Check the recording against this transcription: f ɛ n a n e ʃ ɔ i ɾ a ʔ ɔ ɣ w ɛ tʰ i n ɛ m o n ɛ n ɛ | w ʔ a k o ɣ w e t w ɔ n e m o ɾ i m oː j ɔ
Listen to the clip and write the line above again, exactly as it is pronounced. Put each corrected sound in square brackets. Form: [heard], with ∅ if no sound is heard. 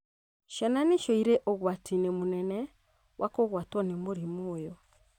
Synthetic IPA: [ʃ] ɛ n a n e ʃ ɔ i ɾ [e] ʔ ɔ ɣ w [a] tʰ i n [e] m o n ɛ n ɛ | w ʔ a k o ɣ w [a] t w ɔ n e m o ɾ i m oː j ɔ